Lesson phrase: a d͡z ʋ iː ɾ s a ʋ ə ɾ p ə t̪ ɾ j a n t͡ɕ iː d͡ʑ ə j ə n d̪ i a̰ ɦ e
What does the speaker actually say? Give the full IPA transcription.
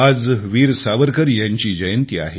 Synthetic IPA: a d͡z ʋ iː ɾ s a ʋ ə ɾ k ə ɾ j a ɲ t͡ɕ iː d͡ʑ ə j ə n t̪ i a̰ ɦ e